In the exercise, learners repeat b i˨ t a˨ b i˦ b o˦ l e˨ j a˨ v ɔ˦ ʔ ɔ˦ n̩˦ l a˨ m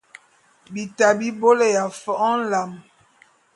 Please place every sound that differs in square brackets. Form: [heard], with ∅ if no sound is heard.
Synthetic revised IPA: b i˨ t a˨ b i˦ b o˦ l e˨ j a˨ [f] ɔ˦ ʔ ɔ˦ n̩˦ l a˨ m